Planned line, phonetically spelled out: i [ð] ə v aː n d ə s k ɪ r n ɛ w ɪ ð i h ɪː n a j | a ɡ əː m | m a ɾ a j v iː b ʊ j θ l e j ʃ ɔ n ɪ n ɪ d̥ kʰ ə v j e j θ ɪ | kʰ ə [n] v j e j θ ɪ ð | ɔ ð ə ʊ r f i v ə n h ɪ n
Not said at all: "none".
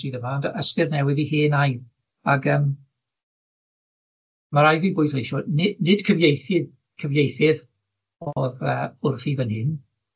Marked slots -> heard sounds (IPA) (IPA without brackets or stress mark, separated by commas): ð, none